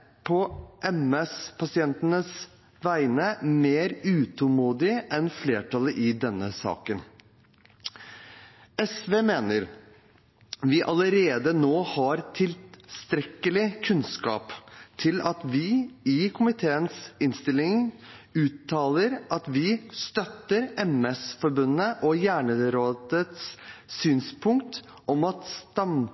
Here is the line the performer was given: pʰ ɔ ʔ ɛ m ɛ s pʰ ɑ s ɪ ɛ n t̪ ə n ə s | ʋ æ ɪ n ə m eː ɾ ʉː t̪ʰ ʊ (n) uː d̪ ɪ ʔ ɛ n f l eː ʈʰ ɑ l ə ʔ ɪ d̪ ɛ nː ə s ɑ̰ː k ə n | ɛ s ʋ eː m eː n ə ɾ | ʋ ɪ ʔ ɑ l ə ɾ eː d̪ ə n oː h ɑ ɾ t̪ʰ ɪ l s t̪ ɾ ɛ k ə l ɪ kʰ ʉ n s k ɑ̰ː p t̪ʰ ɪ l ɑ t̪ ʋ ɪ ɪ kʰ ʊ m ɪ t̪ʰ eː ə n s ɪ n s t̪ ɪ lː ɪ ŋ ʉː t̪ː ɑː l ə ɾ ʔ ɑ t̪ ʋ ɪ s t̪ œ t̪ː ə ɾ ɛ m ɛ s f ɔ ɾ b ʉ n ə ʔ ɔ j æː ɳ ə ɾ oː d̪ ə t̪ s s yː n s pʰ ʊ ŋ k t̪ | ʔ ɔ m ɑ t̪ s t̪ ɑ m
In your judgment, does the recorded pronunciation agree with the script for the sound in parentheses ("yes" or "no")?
no